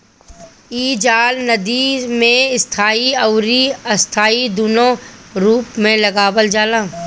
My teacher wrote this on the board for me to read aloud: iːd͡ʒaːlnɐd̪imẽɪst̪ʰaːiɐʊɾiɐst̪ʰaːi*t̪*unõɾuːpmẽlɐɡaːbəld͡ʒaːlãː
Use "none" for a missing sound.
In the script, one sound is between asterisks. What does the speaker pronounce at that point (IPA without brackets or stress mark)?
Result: d̪